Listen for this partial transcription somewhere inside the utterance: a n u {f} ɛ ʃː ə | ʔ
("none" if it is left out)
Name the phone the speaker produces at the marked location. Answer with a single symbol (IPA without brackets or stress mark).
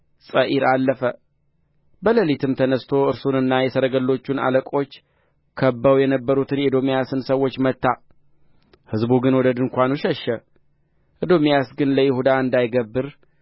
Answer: ʃ